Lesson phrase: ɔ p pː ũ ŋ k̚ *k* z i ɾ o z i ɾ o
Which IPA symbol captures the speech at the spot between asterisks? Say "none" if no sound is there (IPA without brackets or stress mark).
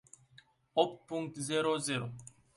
t